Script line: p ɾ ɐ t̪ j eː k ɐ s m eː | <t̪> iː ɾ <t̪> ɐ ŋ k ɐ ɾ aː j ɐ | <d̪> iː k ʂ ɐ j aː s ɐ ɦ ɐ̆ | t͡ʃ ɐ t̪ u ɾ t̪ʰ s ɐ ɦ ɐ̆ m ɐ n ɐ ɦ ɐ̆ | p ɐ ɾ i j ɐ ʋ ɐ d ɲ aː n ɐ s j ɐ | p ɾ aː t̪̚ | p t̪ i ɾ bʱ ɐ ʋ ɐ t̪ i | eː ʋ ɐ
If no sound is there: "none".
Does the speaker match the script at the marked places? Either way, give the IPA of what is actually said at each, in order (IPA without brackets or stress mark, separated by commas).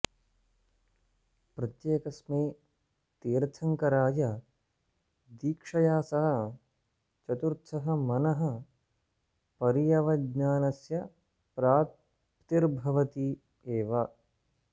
t̪, t̪ʰ, d̪